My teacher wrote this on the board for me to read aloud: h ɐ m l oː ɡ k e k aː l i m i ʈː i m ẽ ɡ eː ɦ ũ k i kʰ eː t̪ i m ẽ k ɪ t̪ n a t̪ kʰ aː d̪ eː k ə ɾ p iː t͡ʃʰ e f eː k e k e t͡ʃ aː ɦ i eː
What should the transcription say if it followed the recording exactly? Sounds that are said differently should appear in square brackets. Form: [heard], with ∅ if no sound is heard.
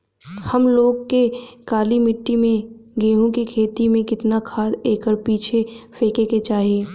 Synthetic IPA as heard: h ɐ m l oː ɡ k e k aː l i m [ɪ] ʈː i m ẽ ɡ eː ɦ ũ k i kʰ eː t̪ i m ẽ k ɪ t̪ n a [∅] kʰ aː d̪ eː k ə ɾ p iː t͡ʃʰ e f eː k e k e t͡ʃ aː ɦ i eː